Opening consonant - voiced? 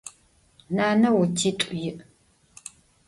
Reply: yes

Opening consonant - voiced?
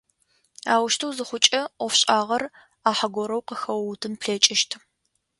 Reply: yes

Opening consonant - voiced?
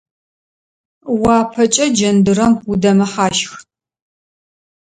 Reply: yes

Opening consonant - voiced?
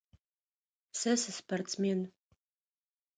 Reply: no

